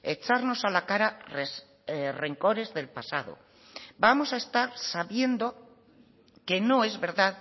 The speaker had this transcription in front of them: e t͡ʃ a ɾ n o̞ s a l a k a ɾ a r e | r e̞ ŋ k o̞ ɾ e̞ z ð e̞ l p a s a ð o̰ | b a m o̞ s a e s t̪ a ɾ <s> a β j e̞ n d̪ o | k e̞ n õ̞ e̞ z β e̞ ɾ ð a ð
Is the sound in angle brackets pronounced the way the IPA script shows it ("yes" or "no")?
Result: yes